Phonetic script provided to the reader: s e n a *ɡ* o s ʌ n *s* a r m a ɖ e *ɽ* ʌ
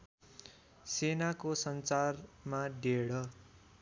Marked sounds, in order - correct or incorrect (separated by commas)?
incorrect, incorrect, correct